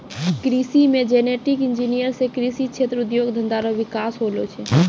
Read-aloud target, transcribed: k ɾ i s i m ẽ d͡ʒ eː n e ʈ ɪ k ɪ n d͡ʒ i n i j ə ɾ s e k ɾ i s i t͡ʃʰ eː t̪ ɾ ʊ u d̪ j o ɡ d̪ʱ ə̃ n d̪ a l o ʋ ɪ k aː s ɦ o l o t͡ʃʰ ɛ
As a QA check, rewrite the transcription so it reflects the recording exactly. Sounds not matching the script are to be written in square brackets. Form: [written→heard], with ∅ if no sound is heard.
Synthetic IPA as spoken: k ɾ i s i m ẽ d͡ʒ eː n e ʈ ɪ k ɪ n d͡ʒ i n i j ə ɾ s e k ɾ i s i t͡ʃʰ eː t̪ ɾ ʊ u d̪ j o ɡ d̪ʱ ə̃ n d̪ a [l→ɾ] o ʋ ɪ k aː s ɦ o l o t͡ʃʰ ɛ